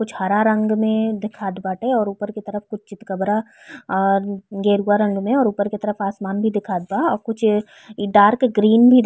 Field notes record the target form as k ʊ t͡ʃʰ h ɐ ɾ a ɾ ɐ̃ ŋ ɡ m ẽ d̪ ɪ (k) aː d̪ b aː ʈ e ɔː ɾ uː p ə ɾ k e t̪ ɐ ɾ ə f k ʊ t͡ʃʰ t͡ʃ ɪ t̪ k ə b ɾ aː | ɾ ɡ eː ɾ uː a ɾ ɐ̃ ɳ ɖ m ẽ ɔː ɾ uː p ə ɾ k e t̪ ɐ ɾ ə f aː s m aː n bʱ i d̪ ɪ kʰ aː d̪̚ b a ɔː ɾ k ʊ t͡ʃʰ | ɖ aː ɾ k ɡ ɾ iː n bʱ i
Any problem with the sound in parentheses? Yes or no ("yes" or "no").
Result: yes